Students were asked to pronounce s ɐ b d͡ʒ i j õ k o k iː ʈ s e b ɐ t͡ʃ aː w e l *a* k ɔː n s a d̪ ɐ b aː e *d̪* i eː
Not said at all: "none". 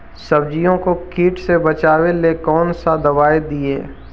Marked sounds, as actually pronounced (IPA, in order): e, d̪

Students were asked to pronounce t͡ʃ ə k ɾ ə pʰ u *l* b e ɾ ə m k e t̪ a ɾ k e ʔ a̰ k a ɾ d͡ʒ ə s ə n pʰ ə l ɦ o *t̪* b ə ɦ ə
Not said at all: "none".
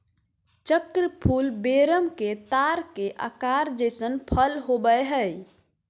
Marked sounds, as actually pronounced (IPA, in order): l, none

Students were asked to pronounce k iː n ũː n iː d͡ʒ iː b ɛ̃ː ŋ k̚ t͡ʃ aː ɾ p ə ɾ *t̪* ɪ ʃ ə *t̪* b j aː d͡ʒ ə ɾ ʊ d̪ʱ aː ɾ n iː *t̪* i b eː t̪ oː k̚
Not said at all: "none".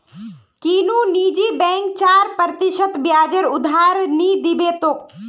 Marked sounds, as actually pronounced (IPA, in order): t̪, t̪, d̪

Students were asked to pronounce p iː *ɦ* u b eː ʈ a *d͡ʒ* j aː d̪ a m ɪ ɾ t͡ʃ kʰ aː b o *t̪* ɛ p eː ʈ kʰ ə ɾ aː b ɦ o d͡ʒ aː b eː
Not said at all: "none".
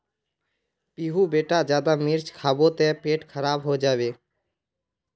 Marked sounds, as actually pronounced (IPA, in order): ɦ, d͡ʒ, t̪

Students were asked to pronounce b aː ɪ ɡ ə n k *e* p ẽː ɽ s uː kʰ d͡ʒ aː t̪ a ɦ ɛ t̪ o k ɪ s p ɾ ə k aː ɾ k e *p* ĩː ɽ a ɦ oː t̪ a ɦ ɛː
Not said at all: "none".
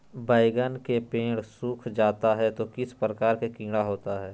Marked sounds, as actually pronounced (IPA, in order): e, k

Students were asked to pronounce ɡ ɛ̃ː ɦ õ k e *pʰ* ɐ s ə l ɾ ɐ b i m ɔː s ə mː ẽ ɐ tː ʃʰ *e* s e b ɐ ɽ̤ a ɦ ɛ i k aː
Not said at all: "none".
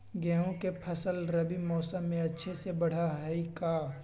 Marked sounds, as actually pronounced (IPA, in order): pʰ, e

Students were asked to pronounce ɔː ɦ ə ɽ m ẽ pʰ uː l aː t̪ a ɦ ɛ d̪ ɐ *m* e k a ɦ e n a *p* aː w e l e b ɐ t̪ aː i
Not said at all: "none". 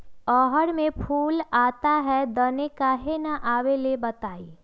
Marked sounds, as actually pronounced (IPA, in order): n, ʔ

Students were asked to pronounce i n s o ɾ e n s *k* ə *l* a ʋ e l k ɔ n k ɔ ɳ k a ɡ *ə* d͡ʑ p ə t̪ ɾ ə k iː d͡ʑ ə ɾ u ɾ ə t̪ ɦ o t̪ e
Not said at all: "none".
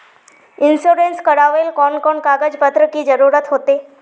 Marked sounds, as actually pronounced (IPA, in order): k, ɽ, ə

